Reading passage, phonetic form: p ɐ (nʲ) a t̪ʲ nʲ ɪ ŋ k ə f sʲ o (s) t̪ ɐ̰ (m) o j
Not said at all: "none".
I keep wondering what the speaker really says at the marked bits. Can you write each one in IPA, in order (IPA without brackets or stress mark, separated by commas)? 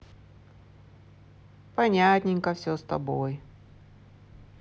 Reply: nʲ, s, b